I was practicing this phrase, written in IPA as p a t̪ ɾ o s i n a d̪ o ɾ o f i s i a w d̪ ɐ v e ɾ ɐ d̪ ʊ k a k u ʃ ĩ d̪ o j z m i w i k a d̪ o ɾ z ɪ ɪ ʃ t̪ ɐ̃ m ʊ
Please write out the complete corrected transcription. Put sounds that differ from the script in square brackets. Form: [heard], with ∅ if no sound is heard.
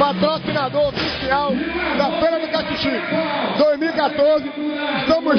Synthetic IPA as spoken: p a t̪ ɾ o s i n a d̪ o ɾ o f i s i a w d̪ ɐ [f] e ɾ ɐ d̪ ʊ k a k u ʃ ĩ d̪ o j z m i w i k a [t̪] o ɾ z ɪ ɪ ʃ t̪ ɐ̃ m ʊ